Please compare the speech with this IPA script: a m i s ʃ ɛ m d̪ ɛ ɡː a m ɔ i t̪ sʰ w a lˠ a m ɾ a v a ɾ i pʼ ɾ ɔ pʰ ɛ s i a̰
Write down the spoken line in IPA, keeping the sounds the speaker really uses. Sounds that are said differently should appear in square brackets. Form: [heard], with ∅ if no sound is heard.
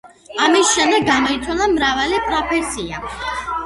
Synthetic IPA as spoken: a m i s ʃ ɛ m d̪ ɛ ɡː a m ɔ i t̪ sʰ w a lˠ a m ɾ a v a [l] i pʼ ɾ ɔ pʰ ɛ s i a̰